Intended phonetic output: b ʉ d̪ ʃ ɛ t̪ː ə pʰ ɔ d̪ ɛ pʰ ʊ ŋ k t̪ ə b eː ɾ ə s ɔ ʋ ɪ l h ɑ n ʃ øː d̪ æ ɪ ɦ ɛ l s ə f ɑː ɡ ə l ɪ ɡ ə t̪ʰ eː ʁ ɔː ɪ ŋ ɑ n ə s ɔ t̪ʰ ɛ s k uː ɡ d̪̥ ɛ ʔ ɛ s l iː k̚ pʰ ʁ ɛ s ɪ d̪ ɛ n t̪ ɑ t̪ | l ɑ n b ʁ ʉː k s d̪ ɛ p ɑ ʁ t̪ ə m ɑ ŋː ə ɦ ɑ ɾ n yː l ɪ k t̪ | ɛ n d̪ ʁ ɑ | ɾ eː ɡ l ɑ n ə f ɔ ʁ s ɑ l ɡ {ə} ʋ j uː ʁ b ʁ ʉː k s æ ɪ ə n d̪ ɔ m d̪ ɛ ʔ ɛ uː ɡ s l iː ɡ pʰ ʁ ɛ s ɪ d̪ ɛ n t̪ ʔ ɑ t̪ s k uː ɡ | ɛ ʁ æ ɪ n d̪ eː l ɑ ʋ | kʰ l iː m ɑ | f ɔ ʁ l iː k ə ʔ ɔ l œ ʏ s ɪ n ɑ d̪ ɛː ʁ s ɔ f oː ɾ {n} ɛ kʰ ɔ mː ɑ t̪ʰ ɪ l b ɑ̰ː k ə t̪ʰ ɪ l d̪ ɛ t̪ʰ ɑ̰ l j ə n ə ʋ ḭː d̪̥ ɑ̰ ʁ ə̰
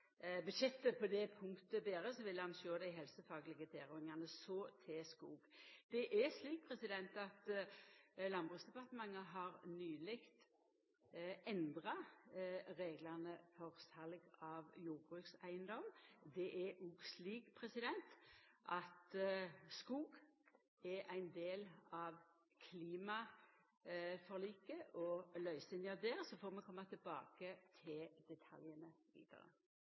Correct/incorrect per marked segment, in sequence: incorrect: ɑ, incorrect: m

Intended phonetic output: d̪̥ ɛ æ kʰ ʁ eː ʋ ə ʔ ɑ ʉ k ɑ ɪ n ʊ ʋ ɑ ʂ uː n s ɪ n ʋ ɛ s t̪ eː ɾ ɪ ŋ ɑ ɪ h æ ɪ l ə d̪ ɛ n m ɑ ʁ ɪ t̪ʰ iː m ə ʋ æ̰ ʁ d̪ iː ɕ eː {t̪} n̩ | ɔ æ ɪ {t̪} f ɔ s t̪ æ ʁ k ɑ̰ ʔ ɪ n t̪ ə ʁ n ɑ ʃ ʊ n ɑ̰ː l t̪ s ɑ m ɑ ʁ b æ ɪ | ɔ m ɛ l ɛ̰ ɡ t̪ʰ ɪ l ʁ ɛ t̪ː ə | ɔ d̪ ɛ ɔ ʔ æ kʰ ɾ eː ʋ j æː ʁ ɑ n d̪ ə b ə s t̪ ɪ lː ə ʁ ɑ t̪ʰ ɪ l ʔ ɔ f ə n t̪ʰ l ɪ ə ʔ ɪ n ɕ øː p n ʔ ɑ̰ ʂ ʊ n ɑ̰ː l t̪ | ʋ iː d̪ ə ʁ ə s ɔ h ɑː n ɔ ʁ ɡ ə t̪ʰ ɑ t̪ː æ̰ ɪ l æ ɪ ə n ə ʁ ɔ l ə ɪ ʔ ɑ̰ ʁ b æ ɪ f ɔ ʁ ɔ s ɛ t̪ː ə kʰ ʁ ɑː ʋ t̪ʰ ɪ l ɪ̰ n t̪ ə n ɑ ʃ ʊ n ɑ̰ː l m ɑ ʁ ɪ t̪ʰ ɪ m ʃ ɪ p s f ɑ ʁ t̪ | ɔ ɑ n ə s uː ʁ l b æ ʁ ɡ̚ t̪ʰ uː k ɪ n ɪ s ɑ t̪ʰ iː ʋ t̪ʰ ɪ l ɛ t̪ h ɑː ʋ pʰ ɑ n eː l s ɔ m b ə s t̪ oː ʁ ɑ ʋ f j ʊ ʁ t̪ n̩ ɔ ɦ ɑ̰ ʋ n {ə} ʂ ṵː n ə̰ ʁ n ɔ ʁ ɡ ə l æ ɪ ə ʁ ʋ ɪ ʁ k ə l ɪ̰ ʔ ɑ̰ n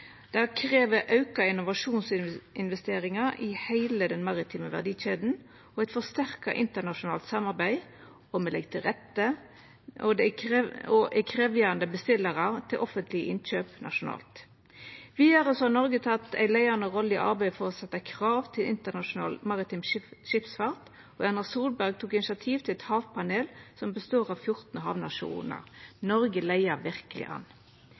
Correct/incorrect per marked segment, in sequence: incorrect: d̪, correct, incorrect: ɑ

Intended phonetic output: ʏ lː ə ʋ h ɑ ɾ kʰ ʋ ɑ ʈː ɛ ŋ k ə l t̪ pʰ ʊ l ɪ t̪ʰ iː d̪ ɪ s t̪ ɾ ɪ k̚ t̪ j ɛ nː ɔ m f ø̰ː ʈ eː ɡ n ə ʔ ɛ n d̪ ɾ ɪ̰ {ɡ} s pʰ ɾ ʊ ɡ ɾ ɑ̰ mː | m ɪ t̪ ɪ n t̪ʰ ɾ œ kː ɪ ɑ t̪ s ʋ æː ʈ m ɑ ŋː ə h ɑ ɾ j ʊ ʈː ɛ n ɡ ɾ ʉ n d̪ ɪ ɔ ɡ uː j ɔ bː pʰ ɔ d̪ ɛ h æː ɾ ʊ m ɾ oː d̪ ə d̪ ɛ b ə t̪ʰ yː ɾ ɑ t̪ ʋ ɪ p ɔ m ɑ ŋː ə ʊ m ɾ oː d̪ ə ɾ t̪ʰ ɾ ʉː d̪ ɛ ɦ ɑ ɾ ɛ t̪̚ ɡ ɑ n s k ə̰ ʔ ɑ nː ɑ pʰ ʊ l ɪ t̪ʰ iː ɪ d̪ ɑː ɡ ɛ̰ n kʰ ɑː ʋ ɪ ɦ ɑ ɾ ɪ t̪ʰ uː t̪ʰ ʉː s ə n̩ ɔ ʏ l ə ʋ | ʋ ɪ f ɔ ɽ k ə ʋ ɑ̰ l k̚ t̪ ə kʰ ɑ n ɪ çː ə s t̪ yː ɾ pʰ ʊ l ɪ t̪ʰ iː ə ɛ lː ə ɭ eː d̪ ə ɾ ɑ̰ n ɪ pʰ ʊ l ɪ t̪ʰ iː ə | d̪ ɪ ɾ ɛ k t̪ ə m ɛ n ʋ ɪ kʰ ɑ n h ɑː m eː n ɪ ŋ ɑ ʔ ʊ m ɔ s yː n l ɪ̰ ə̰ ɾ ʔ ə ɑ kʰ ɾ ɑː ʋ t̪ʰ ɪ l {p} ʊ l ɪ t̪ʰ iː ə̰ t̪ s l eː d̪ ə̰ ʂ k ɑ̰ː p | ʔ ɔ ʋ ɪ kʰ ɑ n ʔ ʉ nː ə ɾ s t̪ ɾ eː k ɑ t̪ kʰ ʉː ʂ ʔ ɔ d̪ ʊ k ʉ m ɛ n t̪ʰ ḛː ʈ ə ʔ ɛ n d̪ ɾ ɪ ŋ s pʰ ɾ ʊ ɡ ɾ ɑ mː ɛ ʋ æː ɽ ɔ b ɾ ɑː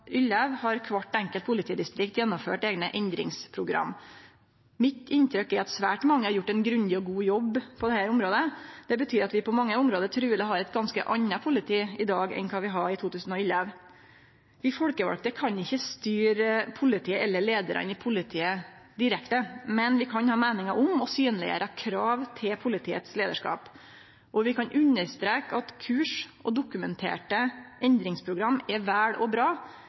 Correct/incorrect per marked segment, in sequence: incorrect: ŋ, incorrect: pʰ

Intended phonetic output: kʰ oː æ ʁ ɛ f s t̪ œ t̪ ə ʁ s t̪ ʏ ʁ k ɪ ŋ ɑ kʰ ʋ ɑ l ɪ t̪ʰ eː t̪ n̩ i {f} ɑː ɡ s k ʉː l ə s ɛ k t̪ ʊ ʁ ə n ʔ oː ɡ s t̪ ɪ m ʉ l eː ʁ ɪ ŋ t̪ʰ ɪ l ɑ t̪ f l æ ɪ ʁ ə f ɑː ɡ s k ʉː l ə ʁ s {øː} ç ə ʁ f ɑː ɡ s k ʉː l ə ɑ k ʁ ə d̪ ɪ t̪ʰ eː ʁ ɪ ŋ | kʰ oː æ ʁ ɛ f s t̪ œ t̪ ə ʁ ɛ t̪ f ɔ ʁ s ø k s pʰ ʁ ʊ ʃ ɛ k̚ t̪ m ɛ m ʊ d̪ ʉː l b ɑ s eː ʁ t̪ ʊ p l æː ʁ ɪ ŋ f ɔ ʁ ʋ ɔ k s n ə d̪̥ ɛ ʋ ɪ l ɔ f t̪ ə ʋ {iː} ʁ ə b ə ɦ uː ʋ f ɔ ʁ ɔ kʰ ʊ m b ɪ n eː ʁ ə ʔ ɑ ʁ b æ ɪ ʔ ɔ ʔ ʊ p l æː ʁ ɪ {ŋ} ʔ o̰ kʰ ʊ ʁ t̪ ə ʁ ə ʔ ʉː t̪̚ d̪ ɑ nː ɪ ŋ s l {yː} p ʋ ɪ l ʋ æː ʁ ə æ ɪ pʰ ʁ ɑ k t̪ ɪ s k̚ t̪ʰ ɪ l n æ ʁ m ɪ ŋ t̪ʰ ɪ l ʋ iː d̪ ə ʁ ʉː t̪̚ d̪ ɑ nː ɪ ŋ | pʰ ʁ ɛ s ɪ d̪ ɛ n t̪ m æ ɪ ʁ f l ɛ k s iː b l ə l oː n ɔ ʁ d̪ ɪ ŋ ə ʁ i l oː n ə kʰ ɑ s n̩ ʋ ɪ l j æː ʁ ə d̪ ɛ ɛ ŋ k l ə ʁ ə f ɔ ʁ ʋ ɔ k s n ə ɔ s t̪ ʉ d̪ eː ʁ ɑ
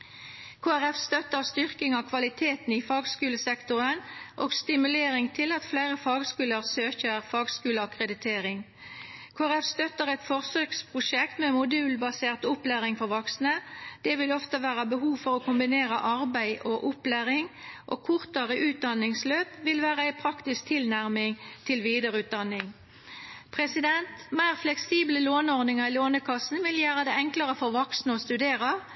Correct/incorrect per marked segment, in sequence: correct, correct, incorrect: æː, correct, incorrect: øː

